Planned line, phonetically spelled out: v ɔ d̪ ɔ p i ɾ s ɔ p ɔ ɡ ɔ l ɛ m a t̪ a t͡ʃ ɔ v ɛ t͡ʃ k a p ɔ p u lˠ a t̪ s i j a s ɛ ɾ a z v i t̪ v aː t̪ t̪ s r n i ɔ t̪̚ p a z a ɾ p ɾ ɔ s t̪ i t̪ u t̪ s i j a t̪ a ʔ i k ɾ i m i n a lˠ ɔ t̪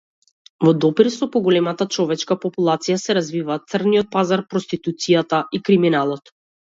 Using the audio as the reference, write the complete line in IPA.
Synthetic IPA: v ɔ d̪ ɔ p i ɾ s ɔ p ɔ ɡ ɔ l ɛ m a t̪ a t͡ʃ ɔ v ɛ t͡ʃ k a p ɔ p u lˠ a t̪ s i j a s ɛ ɾ a z v i v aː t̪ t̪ s r n i ɔ t̪̚ p a z a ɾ p ɾ ɔ s t̪ i t̪ u t̪ s i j a t̪ a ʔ i k ɾ i m i n a lˠ ɔ t̪